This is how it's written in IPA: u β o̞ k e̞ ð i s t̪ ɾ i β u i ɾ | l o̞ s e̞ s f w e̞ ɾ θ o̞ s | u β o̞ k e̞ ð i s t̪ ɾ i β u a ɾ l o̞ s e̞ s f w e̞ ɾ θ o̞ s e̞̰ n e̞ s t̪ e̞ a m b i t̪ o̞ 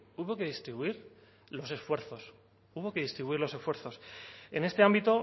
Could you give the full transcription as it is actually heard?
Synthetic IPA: u β o̞ k e̞ ð i s t̪ ɾ i β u i ɾ | l o̞ s e̞ s f w e̞ ɾ θ o̞ s | u β o̞ k e̞ ð i s t̪ ɾ i β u i ɾ l o̞ s e̞ s f w e̞ ɾ θ o̞ s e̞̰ n e̞ s t̪ e̞ a m b i t̪ o̞